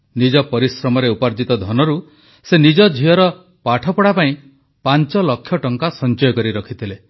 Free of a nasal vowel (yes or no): no